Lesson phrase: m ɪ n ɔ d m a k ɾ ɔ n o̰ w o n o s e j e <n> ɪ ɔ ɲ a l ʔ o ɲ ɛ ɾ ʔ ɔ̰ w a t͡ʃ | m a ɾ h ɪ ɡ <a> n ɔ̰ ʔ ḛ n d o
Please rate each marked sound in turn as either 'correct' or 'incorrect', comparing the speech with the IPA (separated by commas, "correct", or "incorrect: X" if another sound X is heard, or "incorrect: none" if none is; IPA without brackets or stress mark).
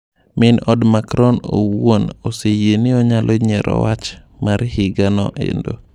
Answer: correct, correct